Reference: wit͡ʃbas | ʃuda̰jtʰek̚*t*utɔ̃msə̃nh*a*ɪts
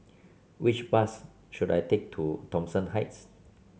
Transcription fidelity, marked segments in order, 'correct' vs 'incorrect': incorrect, correct

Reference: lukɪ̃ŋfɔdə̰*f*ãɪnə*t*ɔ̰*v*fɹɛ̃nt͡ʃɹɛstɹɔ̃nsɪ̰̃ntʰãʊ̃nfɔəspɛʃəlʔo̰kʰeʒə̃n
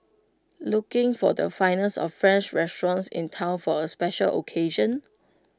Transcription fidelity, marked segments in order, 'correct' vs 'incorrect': correct, incorrect, incorrect

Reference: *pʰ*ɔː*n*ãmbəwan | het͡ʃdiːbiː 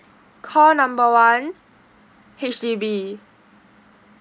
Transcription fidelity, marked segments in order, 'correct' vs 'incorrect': incorrect, correct

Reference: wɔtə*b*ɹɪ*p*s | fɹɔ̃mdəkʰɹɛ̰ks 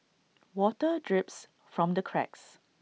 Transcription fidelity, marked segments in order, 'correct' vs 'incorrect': incorrect, correct

